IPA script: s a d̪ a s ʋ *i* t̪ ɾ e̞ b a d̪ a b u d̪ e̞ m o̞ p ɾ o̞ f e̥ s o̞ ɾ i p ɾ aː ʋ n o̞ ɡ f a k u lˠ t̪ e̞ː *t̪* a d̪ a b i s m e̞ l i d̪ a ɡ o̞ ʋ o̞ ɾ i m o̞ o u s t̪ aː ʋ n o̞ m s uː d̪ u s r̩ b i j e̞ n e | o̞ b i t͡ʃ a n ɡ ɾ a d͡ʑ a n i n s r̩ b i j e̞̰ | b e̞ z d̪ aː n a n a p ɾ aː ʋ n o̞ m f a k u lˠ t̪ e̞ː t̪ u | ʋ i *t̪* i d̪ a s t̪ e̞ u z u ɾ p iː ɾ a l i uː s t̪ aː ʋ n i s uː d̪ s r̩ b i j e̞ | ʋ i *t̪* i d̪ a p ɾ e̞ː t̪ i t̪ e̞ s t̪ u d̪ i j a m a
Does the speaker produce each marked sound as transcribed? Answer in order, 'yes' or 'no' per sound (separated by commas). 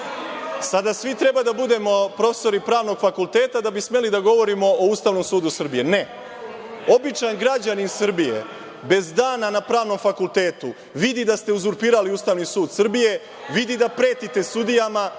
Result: yes, yes, no, no